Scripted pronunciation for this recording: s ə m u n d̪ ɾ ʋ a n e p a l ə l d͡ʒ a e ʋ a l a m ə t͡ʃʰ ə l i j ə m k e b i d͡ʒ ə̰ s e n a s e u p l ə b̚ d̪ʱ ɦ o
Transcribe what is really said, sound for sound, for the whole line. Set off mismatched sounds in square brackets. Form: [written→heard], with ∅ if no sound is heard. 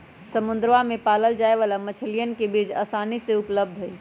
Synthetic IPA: s ə m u n d̪ ɾ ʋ a [n→m] e p a l ə l d͡ʒ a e ʋ a l a m ə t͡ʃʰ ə l i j ə [m→n] k e b i d͡ʒ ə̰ s [e→a] n [a→i] s e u p l ə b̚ d̪ʱ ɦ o